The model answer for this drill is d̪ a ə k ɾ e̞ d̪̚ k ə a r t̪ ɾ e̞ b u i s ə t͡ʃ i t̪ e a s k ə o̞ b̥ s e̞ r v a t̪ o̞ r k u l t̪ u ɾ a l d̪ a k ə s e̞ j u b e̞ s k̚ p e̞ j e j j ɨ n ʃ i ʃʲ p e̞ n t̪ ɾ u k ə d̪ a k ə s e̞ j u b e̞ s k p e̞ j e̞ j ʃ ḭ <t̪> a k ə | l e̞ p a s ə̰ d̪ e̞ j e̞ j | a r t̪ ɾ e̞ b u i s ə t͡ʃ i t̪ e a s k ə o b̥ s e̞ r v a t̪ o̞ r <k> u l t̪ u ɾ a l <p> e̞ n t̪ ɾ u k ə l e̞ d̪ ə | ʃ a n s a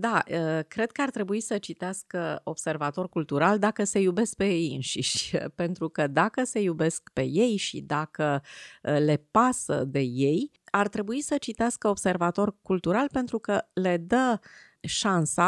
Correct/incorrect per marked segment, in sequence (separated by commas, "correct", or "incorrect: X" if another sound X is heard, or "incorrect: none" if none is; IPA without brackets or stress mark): incorrect: d̪, correct, correct